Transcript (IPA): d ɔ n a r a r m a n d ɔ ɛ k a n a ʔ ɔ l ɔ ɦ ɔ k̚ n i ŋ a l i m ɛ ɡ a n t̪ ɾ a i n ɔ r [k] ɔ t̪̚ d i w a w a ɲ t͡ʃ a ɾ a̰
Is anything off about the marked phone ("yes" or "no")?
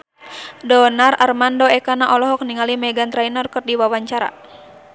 no